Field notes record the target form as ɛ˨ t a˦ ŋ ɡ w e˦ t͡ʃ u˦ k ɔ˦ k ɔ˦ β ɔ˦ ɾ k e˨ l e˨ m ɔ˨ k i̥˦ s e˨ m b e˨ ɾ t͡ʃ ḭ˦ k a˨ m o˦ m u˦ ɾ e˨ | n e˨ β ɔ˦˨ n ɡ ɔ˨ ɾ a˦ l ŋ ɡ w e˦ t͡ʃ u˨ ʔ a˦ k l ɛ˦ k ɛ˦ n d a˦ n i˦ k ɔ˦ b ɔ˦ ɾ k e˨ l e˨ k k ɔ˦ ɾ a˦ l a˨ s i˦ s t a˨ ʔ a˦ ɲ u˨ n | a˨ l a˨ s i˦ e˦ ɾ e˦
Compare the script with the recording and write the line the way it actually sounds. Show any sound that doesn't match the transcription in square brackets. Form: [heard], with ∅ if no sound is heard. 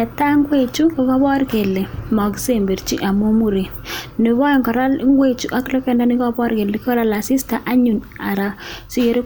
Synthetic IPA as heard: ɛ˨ t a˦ ŋ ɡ w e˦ t͡ʃ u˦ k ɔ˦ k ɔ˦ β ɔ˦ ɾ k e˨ l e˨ m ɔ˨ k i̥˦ s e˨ m b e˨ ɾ t͡ʃ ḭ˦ [ʔ] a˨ m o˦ m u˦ ɾ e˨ | n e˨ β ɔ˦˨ [ŋ] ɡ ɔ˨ ɾ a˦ l ŋ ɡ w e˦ t͡ʃ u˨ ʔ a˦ k l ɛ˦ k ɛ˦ n d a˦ n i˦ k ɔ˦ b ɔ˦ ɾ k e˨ l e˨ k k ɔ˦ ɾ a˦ l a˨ s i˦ s t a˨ ʔ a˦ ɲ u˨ n | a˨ [ɾ] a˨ s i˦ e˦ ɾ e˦